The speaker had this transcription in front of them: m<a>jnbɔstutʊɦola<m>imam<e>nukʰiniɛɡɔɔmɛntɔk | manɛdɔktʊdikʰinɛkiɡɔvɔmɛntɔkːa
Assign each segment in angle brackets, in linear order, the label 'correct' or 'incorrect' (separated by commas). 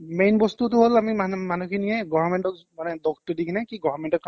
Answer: incorrect, correct, incorrect